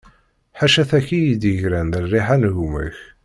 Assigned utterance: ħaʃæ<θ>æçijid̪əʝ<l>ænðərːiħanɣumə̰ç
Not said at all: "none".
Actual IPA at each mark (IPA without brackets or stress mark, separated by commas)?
θ, ɾ